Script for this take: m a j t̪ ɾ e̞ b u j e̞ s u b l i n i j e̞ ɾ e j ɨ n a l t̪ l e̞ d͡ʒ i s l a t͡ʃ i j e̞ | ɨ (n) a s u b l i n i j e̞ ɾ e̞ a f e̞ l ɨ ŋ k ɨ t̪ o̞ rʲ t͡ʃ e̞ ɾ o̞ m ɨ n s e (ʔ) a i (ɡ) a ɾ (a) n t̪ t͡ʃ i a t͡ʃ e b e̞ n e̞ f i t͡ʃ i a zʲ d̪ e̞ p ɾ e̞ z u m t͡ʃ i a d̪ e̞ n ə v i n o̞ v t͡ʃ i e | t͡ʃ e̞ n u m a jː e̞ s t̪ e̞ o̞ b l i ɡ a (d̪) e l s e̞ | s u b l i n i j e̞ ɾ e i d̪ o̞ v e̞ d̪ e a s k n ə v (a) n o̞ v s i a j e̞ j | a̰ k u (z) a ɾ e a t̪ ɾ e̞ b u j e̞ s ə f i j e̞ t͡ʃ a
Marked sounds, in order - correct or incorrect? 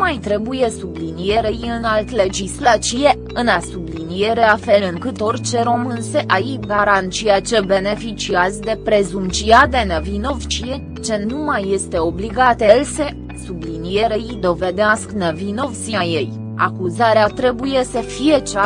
correct, correct, correct, correct, incorrect: t̪, incorrect: i, correct

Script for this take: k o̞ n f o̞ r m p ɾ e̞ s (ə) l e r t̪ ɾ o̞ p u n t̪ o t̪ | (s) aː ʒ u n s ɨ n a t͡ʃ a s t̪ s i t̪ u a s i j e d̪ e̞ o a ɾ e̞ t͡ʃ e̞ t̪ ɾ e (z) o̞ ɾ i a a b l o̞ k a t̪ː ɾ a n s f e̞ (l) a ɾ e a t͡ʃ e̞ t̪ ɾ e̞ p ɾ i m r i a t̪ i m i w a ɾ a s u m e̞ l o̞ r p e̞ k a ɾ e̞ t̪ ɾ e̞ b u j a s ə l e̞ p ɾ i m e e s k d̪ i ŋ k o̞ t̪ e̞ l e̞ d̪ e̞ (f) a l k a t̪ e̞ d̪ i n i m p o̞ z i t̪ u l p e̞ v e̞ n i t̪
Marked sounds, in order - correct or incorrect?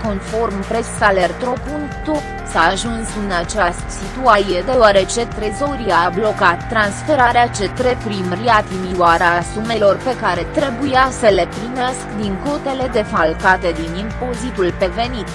incorrect: a, correct, correct, incorrect: ɾ, correct

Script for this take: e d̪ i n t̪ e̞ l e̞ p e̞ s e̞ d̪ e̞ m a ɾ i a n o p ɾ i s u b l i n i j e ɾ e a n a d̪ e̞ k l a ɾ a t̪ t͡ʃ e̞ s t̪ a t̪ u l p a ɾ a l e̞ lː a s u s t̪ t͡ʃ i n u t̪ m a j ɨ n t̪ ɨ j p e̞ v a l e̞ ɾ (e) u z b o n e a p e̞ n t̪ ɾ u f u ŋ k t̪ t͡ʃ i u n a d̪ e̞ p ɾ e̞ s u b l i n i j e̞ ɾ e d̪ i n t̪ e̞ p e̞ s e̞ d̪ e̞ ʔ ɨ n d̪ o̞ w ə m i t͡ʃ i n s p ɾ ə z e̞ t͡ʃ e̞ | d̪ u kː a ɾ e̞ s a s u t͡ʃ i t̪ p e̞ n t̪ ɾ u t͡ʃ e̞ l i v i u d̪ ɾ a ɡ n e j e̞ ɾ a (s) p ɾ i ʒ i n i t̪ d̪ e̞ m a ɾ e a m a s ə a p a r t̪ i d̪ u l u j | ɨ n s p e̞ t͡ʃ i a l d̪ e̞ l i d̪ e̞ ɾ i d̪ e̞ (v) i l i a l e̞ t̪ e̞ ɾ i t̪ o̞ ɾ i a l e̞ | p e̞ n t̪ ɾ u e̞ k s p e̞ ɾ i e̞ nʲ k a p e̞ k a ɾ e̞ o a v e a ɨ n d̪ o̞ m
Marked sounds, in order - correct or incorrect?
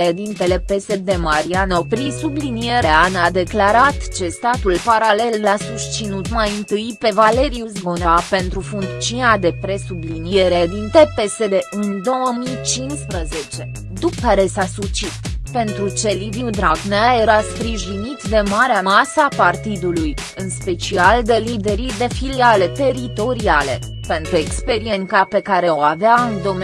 incorrect: i, correct, incorrect: f

